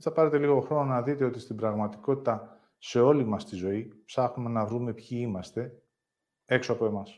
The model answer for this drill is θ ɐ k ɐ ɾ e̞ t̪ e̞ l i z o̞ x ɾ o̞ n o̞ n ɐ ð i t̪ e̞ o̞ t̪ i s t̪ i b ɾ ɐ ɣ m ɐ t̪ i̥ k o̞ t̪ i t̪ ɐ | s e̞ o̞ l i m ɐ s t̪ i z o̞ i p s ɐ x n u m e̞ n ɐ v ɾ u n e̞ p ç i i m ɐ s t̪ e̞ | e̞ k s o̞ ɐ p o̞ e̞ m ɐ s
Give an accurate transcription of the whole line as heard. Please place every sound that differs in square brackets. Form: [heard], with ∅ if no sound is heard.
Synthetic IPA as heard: θ ɐ [p] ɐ ɾ e̞ t̪ e̞ l i [ɣ] o̞ x ɾ o̞ n o̞ n ɐ ð i t̪ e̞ o̞ t̪ i s t̪ i b ɾ ɐ ɣ m ɐ t̪ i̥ k o̞ t̪ i t̪ ɐ | s e̞ o̞ l i m ɐ s t̪ i z o̞ i p s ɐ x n u m e̞ n ɐ v ɾ u [m] e̞ p ç i i m ɐ s t̪ e̞ | e̞ k s o̞ ɐ p o̞ e̞ m ɐ s